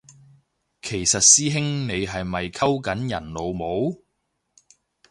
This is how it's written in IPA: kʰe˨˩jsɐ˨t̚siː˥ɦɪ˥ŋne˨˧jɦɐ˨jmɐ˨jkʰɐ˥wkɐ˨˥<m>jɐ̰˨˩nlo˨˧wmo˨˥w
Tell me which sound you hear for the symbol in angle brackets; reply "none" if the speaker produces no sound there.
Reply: n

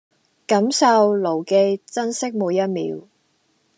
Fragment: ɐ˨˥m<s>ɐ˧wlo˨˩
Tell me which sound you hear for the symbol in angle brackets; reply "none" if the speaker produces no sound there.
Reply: s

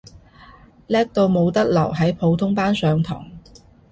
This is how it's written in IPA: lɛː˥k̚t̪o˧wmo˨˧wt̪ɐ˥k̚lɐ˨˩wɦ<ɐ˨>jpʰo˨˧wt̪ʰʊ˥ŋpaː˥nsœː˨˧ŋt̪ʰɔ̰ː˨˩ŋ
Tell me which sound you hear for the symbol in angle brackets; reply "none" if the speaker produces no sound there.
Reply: ɐ˨˥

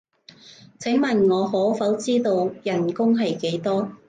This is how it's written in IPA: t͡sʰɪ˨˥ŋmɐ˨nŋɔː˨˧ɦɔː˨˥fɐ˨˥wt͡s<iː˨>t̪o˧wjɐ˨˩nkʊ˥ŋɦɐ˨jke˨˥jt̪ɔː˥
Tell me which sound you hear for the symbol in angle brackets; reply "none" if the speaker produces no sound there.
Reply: iː˥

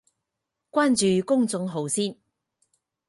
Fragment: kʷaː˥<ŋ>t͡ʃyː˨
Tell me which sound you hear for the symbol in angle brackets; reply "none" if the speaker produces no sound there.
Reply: n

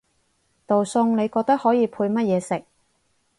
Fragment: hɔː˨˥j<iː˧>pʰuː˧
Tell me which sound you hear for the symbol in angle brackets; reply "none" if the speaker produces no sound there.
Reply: iː˧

